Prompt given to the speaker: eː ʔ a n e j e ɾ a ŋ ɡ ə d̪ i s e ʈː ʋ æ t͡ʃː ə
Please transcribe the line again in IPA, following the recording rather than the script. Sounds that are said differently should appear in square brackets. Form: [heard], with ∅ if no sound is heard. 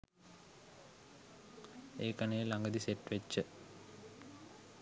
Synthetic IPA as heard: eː [k] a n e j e [l] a ŋ ɡ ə d̪ i s e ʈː ʋ [e] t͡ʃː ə